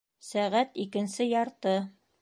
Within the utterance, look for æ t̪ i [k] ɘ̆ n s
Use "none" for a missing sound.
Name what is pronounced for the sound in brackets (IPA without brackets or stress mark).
k